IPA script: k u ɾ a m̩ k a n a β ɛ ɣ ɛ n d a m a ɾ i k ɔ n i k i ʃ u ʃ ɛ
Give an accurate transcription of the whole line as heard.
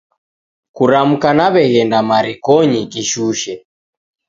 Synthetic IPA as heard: k u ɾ a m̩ k a n a β ɛ ɣ ɛ n d a m a ɾ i k ɔ ɲ i k i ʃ u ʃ ɛ